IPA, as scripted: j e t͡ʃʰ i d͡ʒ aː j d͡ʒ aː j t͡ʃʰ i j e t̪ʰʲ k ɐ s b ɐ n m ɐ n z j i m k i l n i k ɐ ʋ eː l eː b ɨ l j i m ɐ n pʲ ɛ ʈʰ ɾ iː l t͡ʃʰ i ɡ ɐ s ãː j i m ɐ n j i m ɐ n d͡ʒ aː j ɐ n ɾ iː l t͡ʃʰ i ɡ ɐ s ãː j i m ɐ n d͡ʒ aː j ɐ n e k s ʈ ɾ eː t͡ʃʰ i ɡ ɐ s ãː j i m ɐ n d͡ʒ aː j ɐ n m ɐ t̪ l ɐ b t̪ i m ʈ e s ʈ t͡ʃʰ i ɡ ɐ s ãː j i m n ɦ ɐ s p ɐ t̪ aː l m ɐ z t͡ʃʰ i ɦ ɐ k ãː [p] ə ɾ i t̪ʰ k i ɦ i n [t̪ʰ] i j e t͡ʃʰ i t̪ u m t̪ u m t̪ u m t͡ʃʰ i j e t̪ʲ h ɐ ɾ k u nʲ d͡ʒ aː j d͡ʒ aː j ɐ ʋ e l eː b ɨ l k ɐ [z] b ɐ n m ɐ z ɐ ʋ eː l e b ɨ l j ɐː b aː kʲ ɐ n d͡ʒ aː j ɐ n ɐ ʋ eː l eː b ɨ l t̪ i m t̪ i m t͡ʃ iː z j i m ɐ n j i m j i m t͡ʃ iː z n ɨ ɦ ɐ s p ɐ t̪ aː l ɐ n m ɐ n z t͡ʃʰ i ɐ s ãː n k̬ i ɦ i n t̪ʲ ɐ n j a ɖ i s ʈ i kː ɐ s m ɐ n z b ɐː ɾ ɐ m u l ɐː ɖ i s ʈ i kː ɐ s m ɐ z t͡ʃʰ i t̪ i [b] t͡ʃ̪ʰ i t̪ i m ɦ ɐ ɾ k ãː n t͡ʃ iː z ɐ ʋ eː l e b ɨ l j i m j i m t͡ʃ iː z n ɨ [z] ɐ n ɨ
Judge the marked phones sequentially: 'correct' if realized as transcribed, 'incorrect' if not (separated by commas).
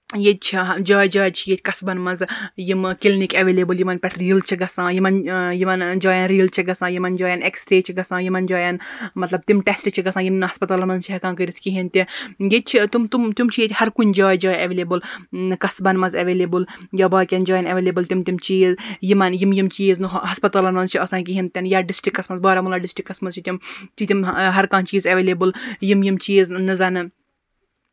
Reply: incorrect, incorrect, incorrect, incorrect, correct